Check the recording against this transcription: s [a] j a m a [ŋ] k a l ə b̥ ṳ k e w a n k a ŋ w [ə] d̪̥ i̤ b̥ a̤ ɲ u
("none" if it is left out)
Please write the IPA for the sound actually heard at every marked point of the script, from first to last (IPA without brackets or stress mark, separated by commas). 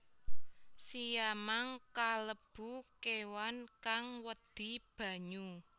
i, ŋ, ə